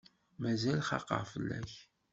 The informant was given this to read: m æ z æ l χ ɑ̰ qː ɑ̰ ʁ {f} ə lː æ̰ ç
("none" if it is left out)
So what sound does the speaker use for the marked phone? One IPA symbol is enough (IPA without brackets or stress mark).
f